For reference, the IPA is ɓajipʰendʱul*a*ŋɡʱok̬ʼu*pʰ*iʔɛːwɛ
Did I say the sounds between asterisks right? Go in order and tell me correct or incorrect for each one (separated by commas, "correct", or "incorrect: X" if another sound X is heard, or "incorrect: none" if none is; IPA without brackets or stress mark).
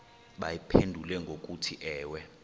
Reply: incorrect: ɛ, incorrect: tʰ